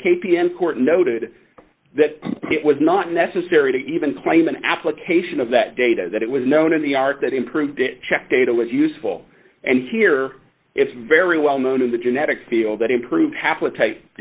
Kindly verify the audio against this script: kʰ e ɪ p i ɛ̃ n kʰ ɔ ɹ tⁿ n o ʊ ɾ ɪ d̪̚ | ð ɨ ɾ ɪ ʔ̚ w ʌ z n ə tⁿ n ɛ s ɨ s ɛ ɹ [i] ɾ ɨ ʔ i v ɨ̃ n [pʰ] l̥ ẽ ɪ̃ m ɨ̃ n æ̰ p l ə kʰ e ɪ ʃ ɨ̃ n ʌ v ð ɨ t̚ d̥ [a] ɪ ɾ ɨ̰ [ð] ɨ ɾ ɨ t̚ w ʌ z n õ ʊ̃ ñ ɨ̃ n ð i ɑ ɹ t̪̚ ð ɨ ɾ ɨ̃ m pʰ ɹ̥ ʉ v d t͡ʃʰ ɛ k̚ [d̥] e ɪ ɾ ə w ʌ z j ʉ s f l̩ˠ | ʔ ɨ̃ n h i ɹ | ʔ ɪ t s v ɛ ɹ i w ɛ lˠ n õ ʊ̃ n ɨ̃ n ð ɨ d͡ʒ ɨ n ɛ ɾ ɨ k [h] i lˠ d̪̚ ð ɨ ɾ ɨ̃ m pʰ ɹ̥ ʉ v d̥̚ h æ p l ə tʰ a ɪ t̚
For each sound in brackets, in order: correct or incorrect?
correct, incorrect, incorrect, correct, correct, incorrect

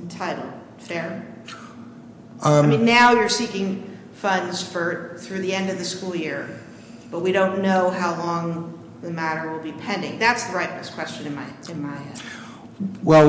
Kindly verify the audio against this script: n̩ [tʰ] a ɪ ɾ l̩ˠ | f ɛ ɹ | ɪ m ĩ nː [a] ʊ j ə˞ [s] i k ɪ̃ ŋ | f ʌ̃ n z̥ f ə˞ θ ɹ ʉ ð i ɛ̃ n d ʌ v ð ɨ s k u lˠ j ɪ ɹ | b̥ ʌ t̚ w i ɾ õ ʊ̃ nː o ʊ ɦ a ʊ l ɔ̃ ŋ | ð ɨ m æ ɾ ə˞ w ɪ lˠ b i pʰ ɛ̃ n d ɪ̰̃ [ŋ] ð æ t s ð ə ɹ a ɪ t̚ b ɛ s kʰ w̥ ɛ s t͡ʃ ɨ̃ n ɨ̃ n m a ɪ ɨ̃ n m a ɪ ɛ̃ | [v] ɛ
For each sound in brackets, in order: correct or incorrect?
correct, correct, correct, correct, incorrect

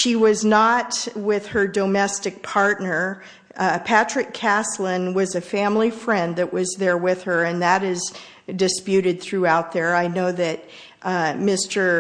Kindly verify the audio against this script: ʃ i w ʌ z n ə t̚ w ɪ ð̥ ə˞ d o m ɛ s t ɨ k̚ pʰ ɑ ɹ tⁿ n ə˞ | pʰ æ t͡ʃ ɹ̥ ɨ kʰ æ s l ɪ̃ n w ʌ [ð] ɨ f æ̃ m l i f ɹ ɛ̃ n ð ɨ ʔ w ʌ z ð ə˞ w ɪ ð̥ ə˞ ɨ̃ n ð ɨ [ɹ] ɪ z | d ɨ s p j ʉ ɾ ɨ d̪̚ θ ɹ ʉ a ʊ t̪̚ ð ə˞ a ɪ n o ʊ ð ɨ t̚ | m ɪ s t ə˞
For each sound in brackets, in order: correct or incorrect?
incorrect, incorrect

